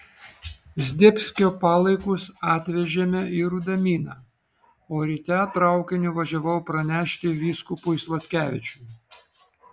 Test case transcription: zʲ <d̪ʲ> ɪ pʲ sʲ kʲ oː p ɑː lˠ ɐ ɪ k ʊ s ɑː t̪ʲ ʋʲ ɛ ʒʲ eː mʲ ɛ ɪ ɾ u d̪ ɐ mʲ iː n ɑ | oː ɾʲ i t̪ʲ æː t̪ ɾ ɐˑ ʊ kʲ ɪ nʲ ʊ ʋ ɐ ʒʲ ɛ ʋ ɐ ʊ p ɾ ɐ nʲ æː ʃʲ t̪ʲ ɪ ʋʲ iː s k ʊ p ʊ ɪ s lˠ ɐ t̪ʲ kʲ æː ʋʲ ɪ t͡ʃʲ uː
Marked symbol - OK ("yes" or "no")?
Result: yes